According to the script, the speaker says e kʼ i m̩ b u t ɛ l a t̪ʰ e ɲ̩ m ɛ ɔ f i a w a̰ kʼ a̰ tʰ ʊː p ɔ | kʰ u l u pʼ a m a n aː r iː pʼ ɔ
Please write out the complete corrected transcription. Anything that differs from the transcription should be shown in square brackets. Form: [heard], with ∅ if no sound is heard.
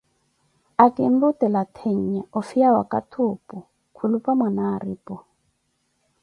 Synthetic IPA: [a] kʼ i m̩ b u t ɛ l a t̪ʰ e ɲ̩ [ɲ] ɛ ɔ f i a w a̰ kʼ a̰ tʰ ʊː p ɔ | kʰ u l u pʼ a m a n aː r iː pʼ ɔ